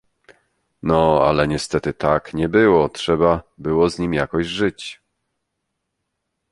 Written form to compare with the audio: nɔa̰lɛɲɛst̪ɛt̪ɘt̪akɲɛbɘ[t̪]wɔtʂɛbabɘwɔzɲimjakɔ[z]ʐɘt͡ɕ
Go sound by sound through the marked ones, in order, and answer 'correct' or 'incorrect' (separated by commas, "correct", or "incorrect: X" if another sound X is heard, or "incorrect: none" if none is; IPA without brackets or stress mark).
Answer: incorrect: none, incorrect: ʑ